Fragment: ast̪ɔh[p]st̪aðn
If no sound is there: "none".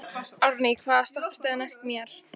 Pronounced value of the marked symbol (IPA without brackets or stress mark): p